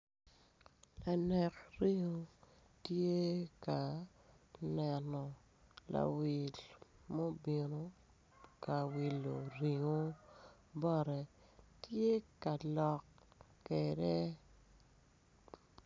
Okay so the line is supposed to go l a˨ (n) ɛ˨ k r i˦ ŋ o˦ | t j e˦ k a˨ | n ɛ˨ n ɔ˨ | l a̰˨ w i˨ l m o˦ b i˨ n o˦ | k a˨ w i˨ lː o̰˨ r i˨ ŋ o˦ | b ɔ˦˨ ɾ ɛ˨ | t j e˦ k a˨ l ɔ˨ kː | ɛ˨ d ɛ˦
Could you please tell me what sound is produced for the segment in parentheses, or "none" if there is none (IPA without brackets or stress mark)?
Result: n